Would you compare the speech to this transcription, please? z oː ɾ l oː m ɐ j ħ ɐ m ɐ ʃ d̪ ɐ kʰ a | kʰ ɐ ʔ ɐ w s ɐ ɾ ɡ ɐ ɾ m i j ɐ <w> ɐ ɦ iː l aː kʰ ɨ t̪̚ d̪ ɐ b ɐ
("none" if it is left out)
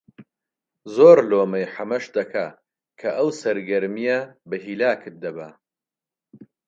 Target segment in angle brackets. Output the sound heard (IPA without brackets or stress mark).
b